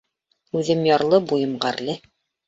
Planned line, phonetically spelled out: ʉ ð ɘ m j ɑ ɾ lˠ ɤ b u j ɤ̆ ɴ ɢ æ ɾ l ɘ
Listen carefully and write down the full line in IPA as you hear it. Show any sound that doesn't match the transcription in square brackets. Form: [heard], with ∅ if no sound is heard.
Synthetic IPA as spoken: ʉ ð ɘ m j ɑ ɾ lˠ ɤ b u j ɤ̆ [m] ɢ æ ɾ l ɘ